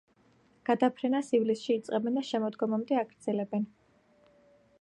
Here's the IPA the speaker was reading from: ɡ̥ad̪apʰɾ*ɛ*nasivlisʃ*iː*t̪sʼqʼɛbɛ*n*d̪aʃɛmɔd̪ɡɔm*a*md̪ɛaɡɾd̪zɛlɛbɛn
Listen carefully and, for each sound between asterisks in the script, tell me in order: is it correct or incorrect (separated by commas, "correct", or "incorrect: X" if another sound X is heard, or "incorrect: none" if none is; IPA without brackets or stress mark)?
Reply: correct, correct, correct, correct